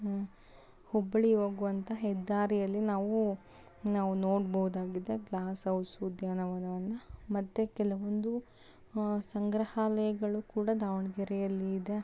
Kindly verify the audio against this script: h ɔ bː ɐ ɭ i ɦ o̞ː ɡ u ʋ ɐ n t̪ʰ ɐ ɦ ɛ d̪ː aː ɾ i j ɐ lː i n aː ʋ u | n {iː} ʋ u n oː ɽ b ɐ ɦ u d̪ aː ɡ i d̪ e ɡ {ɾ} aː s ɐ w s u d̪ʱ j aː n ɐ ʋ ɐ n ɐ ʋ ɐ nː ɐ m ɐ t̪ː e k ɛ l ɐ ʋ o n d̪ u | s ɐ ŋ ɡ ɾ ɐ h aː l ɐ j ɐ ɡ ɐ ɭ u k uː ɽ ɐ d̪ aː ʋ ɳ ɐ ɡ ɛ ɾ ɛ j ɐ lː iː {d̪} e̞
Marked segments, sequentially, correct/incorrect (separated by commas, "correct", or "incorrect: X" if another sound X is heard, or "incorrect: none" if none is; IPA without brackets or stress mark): incorrect: aː, incorrect: l, correct